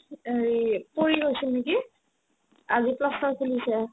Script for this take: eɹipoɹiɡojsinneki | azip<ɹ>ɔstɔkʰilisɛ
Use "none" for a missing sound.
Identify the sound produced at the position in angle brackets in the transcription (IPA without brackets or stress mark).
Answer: l